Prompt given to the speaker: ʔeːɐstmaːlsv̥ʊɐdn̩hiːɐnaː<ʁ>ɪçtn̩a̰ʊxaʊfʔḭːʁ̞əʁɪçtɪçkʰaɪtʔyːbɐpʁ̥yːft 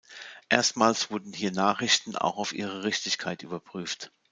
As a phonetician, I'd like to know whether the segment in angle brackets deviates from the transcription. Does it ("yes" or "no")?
yes